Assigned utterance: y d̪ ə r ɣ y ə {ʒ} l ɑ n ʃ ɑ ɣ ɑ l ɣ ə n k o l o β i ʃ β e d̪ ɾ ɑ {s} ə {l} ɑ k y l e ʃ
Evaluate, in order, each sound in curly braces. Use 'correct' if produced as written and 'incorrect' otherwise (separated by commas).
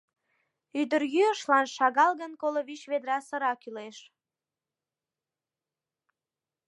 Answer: incorrect, correct, incorrect